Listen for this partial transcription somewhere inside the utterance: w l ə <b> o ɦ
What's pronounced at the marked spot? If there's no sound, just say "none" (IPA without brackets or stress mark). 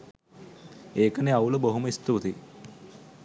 b